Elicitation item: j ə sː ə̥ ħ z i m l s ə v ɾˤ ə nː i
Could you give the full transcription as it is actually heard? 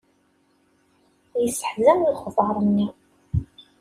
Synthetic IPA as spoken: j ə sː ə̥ ħ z æ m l χ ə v ɾˤ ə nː i